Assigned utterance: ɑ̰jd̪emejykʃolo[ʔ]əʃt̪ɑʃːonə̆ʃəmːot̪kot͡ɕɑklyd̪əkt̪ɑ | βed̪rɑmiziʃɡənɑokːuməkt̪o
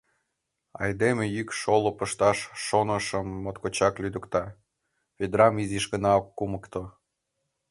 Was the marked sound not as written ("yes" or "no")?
yes